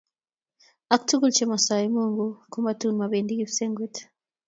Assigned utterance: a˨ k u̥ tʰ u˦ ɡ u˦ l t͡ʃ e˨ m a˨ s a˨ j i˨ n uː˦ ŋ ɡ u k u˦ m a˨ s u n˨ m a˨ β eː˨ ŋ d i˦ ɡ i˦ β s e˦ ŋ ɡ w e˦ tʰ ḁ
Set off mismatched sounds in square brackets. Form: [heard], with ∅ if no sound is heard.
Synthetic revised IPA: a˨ k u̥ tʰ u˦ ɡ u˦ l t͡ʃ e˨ m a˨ s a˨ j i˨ [m] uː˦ ŋ ɡ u k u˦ m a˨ [t] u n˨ m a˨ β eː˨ [n] d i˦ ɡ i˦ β s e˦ ŋ ɡ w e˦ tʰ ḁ